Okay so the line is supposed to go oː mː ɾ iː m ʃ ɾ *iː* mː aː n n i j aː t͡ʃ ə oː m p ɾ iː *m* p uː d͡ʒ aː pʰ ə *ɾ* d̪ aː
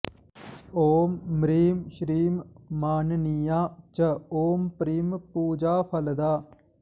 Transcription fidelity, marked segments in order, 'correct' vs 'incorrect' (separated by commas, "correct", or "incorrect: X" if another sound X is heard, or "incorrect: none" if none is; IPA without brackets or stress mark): correct, correct, incorrect: l